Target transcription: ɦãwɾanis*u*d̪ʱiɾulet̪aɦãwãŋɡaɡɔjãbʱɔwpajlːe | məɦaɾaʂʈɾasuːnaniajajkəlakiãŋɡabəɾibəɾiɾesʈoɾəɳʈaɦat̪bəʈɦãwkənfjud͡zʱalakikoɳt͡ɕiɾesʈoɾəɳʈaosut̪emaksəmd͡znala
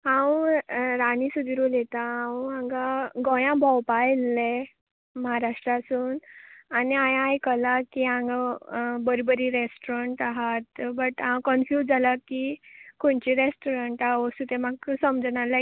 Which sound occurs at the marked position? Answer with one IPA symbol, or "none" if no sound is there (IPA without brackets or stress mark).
u